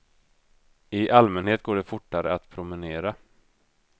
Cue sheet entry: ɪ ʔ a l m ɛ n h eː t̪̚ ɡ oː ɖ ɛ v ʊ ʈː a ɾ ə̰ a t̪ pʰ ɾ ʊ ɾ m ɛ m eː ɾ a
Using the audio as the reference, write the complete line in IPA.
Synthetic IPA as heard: ɪ ʔ a l m ɛ n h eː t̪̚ ɡ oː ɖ ɛ f ʊ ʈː a ɾ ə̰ a t̪ pʰ ɾ ʊ m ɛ n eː ɾ a